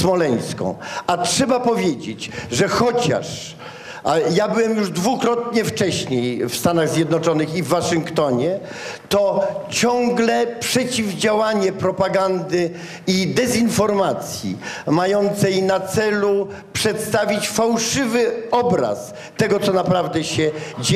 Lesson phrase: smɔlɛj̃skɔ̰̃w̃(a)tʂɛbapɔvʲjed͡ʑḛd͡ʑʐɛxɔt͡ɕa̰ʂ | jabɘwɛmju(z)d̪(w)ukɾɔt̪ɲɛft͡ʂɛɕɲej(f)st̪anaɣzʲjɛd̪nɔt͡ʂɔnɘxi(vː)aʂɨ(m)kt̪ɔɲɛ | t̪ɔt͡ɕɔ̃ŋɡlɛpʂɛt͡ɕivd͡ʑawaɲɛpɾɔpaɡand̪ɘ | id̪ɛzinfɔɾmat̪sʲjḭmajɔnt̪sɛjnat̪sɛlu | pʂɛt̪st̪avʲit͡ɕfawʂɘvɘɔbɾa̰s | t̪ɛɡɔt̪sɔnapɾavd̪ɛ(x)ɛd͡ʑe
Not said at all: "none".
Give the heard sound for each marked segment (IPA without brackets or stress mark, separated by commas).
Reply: a, ʐ, v, f, vː, ŋ, ɕ